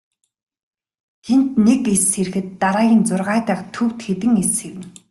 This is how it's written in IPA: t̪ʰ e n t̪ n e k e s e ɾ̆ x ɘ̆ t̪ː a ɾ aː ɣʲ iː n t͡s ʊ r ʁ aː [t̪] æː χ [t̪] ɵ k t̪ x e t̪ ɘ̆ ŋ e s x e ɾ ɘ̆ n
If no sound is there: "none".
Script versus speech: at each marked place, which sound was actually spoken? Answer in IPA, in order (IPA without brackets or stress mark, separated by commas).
t̪, t̪ʰ